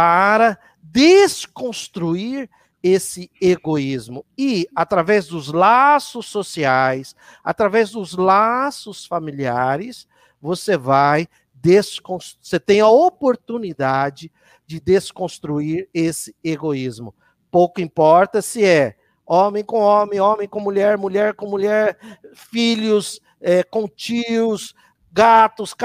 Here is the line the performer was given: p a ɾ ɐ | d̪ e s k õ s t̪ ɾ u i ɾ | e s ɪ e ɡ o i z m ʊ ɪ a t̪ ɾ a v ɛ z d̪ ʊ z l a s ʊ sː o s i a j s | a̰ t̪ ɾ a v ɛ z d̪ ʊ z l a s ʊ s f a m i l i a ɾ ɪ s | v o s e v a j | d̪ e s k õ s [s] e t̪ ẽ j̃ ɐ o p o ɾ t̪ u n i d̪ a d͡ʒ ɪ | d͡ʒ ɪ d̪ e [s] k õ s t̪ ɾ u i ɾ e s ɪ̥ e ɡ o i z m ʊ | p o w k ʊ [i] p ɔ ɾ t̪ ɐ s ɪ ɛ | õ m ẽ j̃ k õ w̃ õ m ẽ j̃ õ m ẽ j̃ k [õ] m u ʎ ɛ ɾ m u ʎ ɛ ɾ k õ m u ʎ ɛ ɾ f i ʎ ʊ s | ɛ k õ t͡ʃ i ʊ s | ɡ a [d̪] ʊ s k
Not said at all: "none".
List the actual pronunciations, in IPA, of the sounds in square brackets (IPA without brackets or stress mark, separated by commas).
s, s, ĩ, õ, t̪